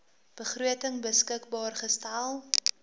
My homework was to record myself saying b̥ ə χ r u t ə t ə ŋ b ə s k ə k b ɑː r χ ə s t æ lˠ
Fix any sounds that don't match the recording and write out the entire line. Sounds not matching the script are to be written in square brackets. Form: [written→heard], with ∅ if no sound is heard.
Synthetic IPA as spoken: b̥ ə χ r u [t→∅] ə t ə ŋ b ə s k ə k b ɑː r χ ə s t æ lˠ

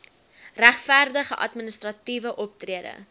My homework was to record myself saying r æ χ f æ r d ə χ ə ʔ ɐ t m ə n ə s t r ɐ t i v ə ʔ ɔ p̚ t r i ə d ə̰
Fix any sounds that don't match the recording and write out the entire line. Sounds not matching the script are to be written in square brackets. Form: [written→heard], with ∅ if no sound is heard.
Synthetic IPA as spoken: r æ χ f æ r d ə χ ə ʔ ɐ t m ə n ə s t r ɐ t i v ə ʔ ɔ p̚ t r i ə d ə̰

